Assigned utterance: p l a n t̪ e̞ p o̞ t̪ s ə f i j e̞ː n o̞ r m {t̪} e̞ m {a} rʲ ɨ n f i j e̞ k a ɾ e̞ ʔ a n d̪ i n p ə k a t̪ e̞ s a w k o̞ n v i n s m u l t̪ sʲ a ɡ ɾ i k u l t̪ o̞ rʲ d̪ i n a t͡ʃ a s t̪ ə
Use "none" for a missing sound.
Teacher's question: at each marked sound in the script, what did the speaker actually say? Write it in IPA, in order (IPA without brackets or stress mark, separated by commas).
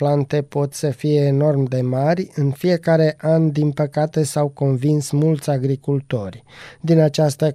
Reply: d̪, a